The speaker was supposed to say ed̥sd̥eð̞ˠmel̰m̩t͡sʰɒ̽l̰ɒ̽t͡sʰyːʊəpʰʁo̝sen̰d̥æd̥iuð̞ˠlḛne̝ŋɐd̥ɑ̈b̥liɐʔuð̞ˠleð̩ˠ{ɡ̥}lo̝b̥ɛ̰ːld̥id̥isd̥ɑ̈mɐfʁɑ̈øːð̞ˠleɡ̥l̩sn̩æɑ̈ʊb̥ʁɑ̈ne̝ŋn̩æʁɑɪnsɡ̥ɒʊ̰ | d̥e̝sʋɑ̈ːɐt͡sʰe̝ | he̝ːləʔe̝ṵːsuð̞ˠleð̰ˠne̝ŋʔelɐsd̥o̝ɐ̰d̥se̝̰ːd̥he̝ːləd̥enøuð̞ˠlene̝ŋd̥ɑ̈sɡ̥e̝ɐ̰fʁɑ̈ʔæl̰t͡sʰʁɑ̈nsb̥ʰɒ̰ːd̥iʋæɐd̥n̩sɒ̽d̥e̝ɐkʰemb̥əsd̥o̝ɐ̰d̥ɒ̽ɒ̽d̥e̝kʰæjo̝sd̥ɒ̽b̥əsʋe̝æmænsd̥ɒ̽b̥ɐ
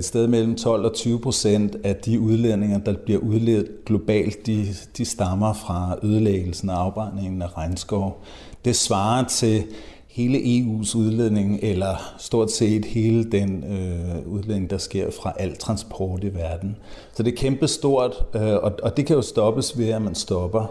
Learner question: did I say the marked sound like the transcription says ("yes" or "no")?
yes